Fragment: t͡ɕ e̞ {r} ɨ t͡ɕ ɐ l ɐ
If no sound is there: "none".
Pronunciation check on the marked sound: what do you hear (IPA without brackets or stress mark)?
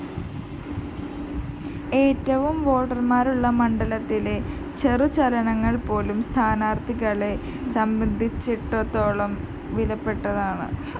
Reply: r